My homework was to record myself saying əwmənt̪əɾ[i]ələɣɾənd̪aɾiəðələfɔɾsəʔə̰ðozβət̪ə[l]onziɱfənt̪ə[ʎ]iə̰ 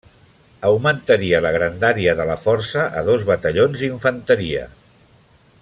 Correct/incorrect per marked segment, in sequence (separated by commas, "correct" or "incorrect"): correct, incorrect, incorrect